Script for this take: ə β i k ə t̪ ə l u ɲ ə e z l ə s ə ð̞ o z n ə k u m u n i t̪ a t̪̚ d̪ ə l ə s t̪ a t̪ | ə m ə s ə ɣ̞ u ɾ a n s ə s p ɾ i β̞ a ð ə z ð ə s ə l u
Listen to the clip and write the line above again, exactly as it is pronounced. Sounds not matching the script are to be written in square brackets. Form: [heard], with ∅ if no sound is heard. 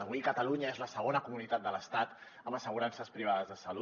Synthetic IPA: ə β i k ə t̪ ə l u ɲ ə e z l ə s ə [ɣ̞] o [∅] n ə k u m u n i t̪ a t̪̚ d̪ ə l ə s t̪ a t̪ | ə m ə s ə ɣ̞ u ɾ a n s ə s p ɾ i β̞ a ð ə z ð ə s ə l u